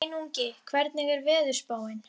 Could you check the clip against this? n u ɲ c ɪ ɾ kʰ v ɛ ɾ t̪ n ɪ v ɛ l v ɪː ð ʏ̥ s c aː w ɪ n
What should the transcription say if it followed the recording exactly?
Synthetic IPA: n u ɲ c ɪ kʰ v ɛ ɾ t̪ n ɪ ɣ ɛ ɾ v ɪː ð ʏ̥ s p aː w ɪ n

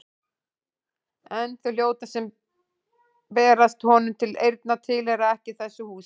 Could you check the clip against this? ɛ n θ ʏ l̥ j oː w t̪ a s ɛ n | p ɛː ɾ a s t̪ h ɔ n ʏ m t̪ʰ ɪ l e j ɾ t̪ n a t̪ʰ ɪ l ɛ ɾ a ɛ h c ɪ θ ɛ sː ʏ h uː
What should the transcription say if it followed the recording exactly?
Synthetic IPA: ɛ n θ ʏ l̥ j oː w t̪ a s ɛ m | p ɛː ɾ a s t̪ h ɔ n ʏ m t̪ʰ ɪ l e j ɾ t̪ n a t̪ʰ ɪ l ɛ ɾ a ɛ h c ɪ θ ɛ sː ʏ h uː

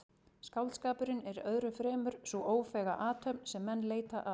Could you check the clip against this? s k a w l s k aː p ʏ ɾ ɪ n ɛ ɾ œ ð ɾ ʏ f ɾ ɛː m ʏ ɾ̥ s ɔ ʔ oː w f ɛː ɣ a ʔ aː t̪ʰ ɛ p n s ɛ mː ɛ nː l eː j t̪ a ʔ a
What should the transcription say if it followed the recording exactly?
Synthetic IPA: s k a w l s k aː p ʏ ɾ ɪ n ɛ ɾ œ ð ɾ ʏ f ɾ ɛː m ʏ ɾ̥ s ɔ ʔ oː w f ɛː ɣ a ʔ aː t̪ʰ œ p n s ɛ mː ɛ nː l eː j t̪ a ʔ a

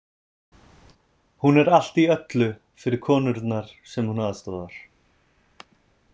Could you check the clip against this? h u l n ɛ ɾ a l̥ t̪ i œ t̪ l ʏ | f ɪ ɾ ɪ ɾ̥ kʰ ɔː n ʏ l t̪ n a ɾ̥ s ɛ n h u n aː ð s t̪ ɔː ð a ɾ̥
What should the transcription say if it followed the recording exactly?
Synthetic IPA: h u n ɛ ɾ a l̥ t̪ i œ t̪ l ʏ | f ɪ ɾ ɪ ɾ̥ kʰ ɔː n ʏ ɾ t̪ n a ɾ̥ s ɛ m h u n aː ð s t̪ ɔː ð a ɾ̥

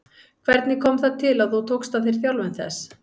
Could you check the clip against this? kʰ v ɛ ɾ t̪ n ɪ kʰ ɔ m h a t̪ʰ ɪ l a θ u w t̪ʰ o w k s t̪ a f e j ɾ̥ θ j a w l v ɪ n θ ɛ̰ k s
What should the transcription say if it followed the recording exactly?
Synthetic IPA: kʰ v ɛ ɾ t̪ n ɪ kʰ ɔ m θ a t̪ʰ ɪ l a θ u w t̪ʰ o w k s t̪ a θ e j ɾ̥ θ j a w l v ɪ n θ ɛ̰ s

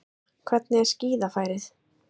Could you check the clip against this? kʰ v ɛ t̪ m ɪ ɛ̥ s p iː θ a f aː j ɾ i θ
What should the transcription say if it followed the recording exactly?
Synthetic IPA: kʰ v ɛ t̪ n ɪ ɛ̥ s c iː ð a f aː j ɾ ɪ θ

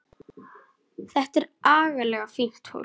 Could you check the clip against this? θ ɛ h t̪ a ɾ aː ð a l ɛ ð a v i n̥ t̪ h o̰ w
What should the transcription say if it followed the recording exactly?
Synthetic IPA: θ ɛ h t̪ ɛ ɾ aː ɣ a l ɛ ɣ a f i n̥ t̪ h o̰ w

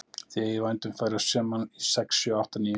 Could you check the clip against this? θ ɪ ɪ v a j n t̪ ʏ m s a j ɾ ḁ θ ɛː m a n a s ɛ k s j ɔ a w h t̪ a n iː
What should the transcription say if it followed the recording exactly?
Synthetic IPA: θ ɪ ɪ v a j n t̪ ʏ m f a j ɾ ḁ s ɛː m a n i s ɛ k s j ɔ a w h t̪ a n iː

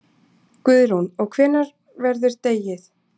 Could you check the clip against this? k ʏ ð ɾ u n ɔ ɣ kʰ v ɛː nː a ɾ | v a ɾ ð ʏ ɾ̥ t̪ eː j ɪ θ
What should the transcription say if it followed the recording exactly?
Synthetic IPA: k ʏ ð ɾ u n ɔ ɣ kʰ v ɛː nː a ɾ | v ɛ ɾ ð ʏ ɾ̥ t̪ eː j ɪ θ

